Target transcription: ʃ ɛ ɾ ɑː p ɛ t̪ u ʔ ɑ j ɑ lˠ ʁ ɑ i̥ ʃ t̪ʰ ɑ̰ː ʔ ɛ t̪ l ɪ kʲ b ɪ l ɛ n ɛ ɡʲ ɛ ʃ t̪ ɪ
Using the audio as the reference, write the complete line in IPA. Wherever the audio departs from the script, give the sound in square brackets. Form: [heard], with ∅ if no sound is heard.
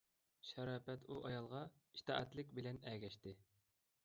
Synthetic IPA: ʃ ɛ ɾ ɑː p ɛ t̪ u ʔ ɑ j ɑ lˠ ʁ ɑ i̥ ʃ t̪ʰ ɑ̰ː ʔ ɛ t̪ l ɪ kʲ b ɪ l ɛ n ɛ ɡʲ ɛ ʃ t̪ ɪ